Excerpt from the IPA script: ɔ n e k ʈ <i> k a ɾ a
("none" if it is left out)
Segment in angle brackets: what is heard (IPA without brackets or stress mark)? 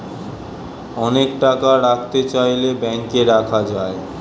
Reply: a